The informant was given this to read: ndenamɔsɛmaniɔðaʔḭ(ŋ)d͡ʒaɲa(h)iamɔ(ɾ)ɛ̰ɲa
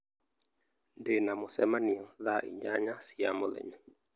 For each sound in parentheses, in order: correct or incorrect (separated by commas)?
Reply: incorrect, incorrect, incorrect